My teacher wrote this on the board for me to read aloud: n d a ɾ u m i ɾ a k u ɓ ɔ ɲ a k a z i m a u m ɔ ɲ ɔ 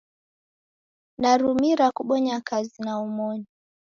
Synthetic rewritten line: n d a ɾ u m i ɾ a k u ɓ ɔ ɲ a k a z i n a u m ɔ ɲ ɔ